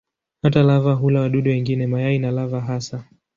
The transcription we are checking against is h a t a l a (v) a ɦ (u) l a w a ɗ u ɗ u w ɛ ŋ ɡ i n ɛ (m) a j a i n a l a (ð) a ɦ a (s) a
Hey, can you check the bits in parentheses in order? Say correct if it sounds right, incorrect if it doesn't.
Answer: correct, correct, correct, incorrect: v, correct

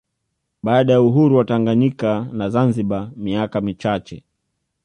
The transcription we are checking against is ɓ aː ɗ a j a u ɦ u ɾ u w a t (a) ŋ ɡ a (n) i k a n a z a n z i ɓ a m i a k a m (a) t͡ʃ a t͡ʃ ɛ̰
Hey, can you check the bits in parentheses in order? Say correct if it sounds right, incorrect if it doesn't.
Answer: correct, incorrect: ɲ, incorrect: i

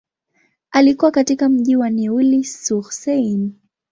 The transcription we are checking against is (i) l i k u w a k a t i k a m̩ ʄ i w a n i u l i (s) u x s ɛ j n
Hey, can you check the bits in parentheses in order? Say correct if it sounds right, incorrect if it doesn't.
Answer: incorrect: a, correct

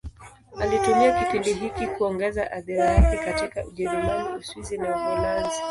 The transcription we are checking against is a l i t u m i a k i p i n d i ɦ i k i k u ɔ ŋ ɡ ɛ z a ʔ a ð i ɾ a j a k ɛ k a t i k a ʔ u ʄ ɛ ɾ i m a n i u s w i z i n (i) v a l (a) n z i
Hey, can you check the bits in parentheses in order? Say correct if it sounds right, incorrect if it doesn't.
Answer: incorrect: a, correct

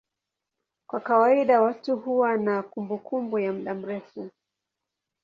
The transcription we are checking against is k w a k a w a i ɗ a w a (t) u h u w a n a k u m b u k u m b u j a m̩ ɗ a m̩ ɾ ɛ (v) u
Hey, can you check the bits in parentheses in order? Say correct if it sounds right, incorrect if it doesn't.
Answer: correct, incorrect: f

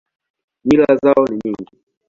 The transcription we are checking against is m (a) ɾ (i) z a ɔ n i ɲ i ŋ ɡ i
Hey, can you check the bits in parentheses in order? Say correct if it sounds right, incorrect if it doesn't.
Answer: incorrect: i, incorrect: a

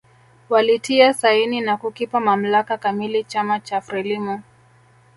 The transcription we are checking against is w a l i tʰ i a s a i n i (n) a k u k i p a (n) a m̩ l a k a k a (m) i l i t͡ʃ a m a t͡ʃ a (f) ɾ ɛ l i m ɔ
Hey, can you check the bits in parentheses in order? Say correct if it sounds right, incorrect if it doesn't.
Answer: correct, incorrect: m, correct, correct

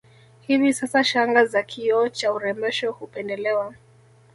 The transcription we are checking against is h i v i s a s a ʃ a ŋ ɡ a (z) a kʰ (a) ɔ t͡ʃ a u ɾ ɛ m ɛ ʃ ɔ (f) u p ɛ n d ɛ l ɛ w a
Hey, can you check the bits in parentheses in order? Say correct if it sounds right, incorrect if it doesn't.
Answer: correct, incorrect: i, incorrect: h

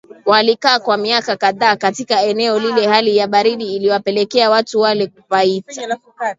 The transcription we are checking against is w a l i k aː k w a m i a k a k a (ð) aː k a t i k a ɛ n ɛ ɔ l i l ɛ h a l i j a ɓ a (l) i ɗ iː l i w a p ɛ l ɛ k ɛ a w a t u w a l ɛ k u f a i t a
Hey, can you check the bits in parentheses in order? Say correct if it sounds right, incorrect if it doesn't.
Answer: correct, incorrect: ɾ

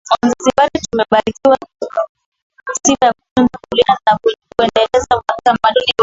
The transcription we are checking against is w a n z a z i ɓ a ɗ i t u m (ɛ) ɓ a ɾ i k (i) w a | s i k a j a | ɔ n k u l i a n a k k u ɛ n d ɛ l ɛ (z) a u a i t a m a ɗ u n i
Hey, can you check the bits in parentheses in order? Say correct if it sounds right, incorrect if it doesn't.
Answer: correct, correct, correct

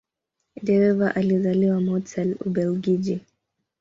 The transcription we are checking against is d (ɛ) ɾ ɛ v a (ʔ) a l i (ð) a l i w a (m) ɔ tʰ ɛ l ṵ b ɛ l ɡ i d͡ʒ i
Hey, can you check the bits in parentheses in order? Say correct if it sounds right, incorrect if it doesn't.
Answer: correct, correct, incorrect: z, correct

